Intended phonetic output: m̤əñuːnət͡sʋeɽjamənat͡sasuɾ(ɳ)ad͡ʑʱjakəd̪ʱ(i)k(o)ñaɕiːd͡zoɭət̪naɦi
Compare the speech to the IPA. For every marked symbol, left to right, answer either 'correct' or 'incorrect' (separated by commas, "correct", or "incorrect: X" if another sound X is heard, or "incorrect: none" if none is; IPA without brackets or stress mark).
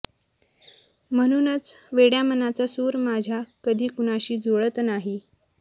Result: incorrect: m, incorrect: iː, incorrect: u